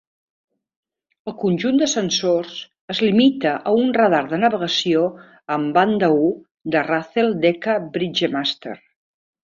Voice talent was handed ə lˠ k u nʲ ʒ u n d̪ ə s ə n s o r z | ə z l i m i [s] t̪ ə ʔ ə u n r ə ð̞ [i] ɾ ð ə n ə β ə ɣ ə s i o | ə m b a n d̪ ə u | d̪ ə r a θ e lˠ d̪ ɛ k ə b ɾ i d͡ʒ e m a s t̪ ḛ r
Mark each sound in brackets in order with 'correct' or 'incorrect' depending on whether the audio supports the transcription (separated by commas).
incorrect, incorrect